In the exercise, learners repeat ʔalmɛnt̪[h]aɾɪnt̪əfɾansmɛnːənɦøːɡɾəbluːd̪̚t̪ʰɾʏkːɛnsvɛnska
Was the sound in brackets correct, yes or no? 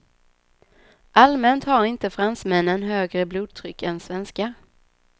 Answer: yes